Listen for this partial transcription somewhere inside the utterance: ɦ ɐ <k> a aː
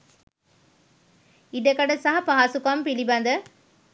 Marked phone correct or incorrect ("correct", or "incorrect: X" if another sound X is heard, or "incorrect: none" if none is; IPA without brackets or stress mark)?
incorrect: p